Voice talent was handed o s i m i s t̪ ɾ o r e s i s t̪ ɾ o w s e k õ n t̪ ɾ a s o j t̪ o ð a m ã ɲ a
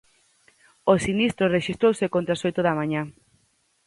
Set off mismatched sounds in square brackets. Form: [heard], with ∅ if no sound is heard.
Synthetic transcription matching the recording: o s i [n] i s t̪ ɾ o r e [ʃ] i s t̪ ɾ o w s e k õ n t̪ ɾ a s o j t̪ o ð a m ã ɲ a